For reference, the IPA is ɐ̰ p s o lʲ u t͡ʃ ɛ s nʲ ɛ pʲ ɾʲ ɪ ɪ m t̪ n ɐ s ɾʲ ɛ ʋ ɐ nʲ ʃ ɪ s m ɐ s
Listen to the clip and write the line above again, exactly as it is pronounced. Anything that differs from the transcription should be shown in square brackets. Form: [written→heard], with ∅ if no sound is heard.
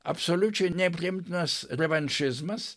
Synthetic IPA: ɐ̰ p s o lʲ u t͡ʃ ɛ [s→∅] nʲ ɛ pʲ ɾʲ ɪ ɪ m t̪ n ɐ s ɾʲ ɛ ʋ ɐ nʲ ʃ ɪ [s→z] m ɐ s